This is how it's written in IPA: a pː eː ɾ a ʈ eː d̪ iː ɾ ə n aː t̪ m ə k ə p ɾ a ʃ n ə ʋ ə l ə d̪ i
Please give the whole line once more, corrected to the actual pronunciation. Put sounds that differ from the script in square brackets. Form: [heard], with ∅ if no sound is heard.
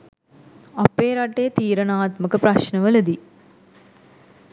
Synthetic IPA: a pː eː ɾ a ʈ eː [t̪] iː ɾ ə n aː t̪ m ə k ə p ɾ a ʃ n ə ʋ ə l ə d̪ i